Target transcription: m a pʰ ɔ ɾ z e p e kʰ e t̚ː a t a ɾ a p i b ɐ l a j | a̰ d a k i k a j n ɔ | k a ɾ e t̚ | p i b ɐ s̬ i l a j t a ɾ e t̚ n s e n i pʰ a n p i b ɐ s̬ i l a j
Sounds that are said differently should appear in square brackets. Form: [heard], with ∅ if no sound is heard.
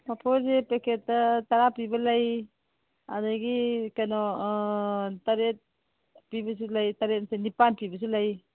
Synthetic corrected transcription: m a pʰ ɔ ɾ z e p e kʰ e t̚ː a t a ɾ a p i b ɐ l a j | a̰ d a [ɡ] i k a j n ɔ | [t] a ɾ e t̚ | p i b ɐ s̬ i l a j t a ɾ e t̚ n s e n i [p] a n p i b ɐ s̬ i l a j